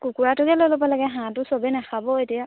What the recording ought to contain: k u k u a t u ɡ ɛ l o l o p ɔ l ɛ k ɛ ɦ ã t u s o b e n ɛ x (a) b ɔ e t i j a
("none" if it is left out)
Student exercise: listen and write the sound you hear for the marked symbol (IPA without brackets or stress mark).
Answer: a